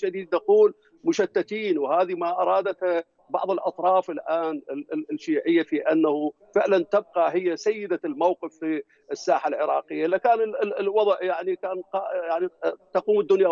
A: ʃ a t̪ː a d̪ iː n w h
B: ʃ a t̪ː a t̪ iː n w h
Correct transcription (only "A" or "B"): B